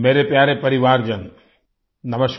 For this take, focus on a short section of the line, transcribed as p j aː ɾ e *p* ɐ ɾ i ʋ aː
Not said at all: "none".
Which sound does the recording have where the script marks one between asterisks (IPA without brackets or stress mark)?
p